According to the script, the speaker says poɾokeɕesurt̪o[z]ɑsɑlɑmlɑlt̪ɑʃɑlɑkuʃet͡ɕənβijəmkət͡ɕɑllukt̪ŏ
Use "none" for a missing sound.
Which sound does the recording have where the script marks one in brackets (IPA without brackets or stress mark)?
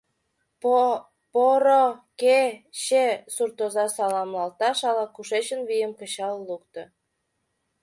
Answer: z